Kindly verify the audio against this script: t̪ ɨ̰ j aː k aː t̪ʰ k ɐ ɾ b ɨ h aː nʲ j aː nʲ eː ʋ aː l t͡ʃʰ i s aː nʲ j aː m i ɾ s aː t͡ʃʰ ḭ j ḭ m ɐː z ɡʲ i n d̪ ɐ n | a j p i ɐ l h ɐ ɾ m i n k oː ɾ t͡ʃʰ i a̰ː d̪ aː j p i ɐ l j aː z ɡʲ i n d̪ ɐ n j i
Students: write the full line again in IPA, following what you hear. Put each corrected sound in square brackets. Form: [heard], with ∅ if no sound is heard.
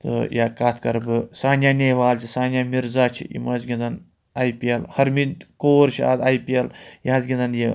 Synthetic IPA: t̪ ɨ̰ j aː k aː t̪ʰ k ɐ ɾ b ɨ [s] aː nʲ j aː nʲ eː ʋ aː l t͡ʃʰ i s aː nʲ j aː m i ɾ [z] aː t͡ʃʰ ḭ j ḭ m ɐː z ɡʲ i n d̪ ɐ n | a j p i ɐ l h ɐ ɾ m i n k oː ɾ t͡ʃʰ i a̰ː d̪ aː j p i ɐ l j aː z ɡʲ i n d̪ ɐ n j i